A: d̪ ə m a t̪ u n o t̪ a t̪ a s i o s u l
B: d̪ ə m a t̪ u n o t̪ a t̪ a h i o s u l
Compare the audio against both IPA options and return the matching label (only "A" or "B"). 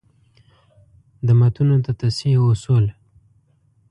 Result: A